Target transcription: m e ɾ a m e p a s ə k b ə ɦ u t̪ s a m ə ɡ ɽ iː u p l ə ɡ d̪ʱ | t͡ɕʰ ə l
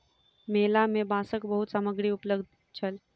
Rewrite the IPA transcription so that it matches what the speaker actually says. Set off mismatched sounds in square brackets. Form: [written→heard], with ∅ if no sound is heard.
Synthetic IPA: m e [ɾ→l] a m e [p→b] a s ə k b ə ɦ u t̪ s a m ə ɡ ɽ iː u p l ə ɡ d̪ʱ | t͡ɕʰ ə l